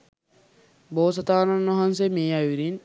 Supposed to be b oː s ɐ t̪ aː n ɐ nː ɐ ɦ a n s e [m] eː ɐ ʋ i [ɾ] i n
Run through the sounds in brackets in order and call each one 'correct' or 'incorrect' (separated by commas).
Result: correct, correct